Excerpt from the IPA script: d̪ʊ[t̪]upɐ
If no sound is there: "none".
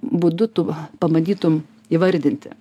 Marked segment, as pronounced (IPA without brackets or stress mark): t̪